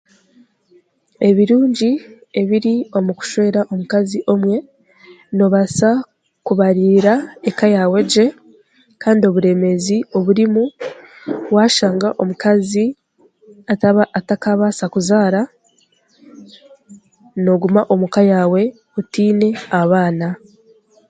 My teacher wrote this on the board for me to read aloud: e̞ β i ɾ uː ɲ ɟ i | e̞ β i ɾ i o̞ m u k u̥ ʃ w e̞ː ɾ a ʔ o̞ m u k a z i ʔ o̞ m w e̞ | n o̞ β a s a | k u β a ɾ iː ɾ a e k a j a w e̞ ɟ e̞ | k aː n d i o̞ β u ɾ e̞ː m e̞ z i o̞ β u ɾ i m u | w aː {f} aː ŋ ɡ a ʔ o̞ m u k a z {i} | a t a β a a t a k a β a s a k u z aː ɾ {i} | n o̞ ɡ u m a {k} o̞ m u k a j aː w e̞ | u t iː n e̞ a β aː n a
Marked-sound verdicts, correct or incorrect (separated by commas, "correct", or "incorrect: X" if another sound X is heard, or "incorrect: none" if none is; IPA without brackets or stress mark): incorrect: ʃ, correct, incorrect: a, incorrect: ʔ